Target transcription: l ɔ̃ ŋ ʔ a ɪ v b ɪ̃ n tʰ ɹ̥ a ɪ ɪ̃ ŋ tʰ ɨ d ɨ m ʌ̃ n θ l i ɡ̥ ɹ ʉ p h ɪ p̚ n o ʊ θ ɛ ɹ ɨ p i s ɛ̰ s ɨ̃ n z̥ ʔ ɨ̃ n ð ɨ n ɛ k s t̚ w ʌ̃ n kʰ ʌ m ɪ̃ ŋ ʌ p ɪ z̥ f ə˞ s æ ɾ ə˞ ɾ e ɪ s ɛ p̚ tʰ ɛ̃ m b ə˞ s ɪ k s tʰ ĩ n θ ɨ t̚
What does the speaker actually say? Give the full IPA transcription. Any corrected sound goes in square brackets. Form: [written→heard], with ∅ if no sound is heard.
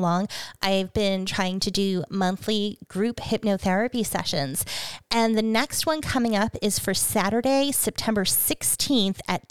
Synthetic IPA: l ɔ̃ ŋ ʔ a ɪ v b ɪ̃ n tʰ ɹ̥ a ɪ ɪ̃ ŋ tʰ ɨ d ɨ m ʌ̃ n θ l i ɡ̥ ɹ ʉ p h ɪ p̚ n o ʊ θ ɛ ɹ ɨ p i s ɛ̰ [s→ʃ] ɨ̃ n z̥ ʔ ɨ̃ n ð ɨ n ɛ k s t̚ w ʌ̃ n kʰ ʌ m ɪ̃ ŋ ʌ p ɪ z̥ f ə˞ s æ ɾ ə˞ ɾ e ɪ s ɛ p̚ tʰ ɛ̃ m b ə˞ s ɪ k s tʰ ĩ n θ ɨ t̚